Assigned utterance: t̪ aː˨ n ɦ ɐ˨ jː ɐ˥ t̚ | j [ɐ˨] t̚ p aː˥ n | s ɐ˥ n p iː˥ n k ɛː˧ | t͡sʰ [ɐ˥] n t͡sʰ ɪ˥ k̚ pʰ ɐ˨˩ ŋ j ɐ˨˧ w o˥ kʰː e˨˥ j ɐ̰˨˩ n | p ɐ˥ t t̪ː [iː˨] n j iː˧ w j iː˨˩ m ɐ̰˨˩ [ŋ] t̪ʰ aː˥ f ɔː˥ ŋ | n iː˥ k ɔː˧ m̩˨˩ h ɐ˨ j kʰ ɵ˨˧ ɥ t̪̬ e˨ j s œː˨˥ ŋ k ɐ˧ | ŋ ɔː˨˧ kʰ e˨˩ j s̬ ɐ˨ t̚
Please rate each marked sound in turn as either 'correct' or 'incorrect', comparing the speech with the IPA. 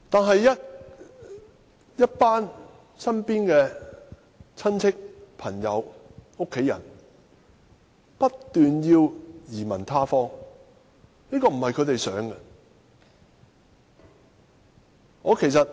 incorrect: ɐ˥, correct, incorrect: yː˨, incorrect: n

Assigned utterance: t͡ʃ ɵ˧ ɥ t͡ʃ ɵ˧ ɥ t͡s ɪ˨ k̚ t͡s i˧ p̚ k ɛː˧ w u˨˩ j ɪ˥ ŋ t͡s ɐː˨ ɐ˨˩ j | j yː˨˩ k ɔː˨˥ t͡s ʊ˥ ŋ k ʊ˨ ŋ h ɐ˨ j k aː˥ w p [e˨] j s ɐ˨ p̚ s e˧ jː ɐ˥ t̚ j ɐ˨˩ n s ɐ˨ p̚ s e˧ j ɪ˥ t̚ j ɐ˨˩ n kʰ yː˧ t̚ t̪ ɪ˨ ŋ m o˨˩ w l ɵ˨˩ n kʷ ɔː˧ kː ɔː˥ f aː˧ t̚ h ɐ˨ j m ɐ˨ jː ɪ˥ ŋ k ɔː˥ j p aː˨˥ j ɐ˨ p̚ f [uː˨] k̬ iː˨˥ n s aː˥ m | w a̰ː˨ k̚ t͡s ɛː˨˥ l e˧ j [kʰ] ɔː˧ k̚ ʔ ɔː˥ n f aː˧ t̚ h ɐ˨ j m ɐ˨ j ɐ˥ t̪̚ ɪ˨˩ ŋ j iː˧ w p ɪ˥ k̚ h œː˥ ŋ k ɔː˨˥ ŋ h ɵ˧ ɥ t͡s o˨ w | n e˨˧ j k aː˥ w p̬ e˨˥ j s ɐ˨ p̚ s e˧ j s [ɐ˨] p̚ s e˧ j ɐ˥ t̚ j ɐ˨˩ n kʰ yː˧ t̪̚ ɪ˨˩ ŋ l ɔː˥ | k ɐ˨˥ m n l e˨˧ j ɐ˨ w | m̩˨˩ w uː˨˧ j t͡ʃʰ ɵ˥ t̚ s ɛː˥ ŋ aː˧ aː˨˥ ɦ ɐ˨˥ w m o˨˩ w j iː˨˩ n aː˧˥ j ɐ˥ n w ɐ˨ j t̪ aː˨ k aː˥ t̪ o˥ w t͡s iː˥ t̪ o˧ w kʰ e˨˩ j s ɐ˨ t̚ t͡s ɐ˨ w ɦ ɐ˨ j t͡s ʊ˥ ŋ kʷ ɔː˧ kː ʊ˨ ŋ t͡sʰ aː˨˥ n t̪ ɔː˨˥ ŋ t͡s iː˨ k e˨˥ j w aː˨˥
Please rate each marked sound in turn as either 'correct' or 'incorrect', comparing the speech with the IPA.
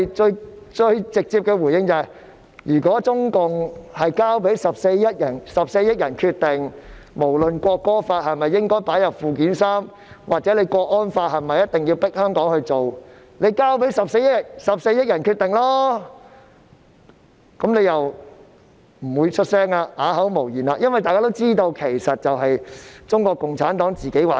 incorrect: e˨˥, correct, incorrect: k, correct

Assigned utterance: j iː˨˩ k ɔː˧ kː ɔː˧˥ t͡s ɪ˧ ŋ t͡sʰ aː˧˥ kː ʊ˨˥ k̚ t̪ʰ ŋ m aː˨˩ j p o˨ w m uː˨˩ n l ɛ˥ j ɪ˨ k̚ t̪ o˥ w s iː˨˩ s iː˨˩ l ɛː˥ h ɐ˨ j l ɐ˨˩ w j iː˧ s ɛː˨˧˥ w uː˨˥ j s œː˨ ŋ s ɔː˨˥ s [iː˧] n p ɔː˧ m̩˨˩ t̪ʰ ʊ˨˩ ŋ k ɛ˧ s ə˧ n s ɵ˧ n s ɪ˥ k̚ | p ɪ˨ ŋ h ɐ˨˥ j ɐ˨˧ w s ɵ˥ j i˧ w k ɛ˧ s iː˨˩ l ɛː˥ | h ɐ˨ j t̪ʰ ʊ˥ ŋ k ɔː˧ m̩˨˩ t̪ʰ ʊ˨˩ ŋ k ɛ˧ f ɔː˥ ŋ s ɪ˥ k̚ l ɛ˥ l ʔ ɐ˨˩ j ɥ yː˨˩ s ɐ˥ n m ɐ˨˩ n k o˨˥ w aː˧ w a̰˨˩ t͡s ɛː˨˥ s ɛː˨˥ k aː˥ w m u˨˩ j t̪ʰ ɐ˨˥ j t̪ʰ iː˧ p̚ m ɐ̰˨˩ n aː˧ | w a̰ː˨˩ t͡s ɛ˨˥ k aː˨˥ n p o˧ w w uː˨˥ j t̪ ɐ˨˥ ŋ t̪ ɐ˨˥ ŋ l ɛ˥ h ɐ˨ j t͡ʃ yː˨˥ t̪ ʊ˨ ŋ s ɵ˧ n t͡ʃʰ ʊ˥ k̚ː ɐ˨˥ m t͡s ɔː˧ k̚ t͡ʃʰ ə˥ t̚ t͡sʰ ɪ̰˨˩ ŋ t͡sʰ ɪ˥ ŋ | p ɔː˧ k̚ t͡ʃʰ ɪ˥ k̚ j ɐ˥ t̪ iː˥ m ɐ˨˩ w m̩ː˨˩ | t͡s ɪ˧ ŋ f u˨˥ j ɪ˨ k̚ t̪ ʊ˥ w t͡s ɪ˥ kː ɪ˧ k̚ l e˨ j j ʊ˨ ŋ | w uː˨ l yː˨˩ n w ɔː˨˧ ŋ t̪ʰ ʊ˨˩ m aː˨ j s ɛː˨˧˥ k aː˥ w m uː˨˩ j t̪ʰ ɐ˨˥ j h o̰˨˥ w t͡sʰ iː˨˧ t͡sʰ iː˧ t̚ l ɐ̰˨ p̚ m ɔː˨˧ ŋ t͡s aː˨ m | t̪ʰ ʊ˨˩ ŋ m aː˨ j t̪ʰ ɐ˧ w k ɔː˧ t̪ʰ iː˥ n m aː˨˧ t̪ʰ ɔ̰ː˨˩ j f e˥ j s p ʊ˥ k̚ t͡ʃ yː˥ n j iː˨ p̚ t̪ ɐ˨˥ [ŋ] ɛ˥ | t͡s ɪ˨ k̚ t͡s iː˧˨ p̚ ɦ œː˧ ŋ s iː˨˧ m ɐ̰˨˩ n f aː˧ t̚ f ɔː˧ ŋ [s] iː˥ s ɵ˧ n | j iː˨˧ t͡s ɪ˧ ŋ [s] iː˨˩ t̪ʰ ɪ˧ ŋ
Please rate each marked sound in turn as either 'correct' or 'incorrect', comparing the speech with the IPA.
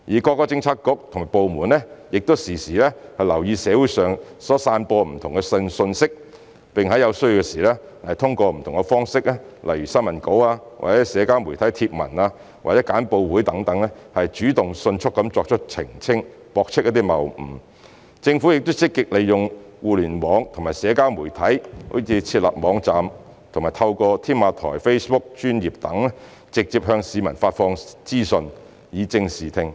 incorrect: aː˧, correct, incorrect: t͡s, correct

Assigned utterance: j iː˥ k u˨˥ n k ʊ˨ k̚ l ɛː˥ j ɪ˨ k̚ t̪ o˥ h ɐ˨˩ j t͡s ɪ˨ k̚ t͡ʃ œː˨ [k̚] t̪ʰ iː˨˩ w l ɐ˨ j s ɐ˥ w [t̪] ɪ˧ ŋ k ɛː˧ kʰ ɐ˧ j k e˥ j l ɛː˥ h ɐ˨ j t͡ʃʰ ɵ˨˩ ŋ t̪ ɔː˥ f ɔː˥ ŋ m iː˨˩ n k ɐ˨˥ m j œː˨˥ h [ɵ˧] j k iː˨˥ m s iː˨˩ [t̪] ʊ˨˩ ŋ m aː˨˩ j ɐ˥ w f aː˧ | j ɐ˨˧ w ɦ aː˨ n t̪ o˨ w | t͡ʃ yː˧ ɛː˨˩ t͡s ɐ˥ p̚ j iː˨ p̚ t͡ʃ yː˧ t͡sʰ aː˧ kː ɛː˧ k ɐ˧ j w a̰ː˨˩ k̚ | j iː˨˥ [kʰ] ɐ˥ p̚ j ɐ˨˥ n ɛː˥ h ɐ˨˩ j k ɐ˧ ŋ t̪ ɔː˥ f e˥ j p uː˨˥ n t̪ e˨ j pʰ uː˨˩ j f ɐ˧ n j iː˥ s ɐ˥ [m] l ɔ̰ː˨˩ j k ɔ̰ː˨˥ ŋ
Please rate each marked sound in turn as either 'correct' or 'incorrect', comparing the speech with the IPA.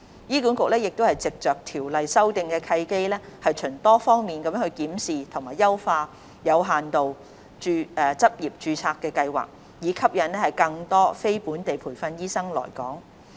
correct, correct, correct, incorrect: t̪ʰ, correct, incorrect: ŋ

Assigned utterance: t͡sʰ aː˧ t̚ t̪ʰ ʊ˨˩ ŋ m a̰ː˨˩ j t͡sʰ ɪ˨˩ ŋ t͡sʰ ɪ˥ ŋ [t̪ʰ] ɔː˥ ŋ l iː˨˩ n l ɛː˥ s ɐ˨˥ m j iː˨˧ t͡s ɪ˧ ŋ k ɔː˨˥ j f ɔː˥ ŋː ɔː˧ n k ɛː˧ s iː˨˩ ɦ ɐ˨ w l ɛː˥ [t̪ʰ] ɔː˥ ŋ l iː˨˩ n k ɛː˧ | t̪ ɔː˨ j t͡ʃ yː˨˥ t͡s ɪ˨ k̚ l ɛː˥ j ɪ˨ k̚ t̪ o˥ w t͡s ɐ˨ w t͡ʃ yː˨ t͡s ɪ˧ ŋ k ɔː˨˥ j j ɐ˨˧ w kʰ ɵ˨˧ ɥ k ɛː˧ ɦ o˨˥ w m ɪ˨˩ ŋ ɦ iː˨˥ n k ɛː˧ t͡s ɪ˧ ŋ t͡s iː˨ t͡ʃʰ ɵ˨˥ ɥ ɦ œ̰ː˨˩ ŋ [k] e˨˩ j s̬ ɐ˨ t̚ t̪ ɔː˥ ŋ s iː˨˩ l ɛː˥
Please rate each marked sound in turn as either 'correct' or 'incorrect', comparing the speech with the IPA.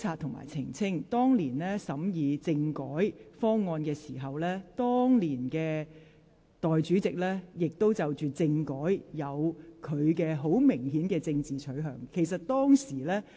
incorrect: t̪, incorrect: t̪, incorrect: kʰ

